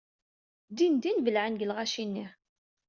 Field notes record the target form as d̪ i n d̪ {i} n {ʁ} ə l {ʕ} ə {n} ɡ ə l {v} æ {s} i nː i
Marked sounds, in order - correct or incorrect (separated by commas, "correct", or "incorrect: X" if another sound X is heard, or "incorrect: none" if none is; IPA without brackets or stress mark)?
correct, incorrect: v, correct, correct, incorrect: ʁ, incorrect: ʃ